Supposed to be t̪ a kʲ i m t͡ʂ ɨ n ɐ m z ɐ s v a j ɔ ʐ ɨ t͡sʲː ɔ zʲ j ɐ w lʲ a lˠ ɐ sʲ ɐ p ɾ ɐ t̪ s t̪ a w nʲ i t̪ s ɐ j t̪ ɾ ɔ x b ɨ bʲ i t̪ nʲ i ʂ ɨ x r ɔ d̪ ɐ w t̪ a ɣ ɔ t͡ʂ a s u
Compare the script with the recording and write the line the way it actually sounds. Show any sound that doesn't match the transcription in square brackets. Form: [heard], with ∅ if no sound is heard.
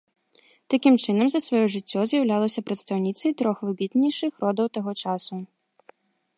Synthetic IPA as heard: t̪ a kʲ i m t͡ʂ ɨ n ɐ m z ɐ s v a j ɔ ʐ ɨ t͡sʲː ɔ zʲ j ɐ w lʲ a lˠ ɐ sʲ ɐ p ɾ ɐ t̪ s t̪ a w nʲ i t̪ s ɐ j t̪ ɾ ɔ x [v] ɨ bʲ i t̪ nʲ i ʂ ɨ x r ɔ d̪ ɐ w t̪ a ɣ ɔ t͡ʂ a s u